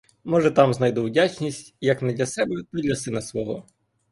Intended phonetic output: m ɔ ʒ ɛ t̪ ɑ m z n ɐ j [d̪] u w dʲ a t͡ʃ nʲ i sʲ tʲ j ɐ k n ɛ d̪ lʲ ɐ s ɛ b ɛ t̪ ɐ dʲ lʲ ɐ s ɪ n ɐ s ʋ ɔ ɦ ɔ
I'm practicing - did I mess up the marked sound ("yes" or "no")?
no